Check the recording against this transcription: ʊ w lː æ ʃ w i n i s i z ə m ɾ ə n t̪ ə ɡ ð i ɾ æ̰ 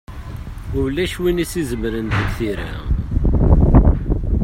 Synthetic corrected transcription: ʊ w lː æ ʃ w i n i s i z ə m ɾ ə n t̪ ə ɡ θ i ɾ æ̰